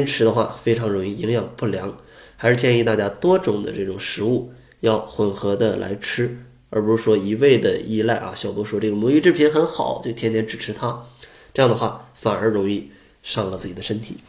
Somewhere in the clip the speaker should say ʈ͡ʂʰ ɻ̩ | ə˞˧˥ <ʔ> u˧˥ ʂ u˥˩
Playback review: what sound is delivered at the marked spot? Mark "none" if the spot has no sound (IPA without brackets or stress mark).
p